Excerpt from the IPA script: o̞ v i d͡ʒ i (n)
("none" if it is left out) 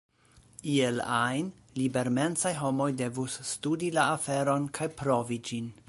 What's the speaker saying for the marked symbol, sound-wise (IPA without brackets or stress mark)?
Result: n